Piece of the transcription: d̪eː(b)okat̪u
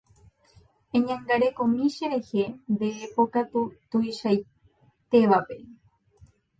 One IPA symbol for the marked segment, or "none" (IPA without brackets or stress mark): p